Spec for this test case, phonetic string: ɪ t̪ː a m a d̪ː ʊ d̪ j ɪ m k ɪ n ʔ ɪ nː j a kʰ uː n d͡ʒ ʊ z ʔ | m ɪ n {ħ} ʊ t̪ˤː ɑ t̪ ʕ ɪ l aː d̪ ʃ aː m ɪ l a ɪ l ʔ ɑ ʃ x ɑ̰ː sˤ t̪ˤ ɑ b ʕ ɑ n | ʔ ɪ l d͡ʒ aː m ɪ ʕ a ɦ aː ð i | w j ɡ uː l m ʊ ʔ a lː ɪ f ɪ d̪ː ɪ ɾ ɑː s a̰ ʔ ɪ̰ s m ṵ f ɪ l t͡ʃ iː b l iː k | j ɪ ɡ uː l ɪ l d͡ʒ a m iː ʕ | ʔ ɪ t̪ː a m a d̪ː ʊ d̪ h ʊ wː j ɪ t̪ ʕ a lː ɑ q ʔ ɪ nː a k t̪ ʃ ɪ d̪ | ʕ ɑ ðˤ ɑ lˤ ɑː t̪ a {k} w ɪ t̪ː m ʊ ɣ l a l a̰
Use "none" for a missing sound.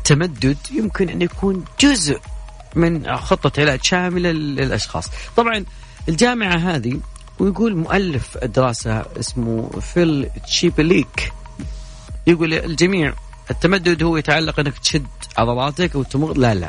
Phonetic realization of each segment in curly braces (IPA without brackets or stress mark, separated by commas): x, k